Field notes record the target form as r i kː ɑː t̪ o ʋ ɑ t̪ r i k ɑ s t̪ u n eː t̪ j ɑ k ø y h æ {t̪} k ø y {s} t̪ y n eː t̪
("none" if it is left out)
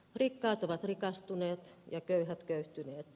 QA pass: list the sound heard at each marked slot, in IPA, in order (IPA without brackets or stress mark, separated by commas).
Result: t̪, h